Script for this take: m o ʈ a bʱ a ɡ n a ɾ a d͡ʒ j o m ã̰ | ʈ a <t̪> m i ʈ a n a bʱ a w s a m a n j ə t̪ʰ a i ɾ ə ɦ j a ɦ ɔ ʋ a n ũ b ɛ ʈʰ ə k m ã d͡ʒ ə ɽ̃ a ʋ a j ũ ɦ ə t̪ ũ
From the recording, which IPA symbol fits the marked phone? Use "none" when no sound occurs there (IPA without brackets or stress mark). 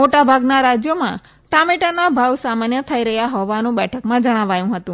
none